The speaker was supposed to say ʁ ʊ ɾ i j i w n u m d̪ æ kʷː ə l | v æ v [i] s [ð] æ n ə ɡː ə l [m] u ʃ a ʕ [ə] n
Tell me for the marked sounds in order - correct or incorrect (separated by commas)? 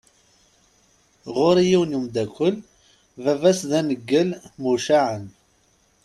incorrect, correct, correct, correct